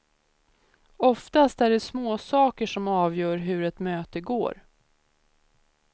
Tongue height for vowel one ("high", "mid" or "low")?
mid